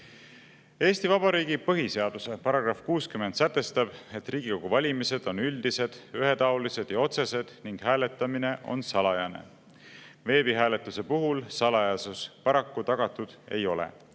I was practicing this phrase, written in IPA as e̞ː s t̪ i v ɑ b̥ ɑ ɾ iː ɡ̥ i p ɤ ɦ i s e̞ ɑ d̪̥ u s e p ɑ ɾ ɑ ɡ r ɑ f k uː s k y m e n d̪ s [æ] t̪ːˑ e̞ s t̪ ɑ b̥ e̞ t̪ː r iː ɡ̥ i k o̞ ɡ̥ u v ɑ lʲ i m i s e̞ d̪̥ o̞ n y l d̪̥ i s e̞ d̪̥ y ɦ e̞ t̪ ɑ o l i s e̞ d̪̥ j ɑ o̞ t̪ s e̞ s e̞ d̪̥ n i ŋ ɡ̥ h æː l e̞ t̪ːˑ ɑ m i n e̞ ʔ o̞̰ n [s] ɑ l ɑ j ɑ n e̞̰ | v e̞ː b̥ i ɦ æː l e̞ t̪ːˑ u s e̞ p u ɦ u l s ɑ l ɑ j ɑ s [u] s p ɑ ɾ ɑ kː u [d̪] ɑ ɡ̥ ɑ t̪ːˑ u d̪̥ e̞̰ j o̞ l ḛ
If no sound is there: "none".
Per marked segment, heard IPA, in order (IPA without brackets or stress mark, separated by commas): æ, s, u, t̪